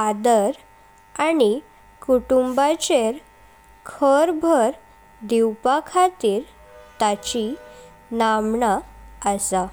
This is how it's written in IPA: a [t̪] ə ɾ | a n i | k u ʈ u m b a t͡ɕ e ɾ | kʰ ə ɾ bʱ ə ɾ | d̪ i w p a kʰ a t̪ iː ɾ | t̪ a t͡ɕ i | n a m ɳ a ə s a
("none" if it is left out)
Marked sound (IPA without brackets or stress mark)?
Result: d̪